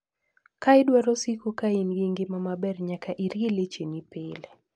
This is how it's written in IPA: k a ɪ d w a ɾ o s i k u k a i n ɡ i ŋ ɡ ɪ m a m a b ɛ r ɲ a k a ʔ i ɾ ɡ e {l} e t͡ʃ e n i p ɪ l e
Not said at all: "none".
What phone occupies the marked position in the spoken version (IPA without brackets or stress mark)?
l